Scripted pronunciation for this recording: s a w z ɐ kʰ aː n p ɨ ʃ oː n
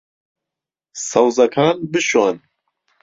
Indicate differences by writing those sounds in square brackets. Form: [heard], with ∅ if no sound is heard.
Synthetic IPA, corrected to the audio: s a w z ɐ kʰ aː n [b] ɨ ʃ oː n

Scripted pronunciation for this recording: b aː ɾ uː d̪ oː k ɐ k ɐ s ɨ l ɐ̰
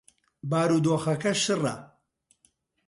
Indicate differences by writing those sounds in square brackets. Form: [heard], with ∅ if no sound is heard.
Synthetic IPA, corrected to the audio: b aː ɾ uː d̪ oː [x] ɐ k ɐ [ʃ] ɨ [r] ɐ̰

